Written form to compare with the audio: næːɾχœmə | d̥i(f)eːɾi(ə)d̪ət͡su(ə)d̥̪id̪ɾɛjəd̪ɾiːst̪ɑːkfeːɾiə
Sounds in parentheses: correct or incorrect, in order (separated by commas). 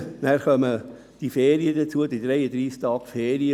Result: correct, correct, correct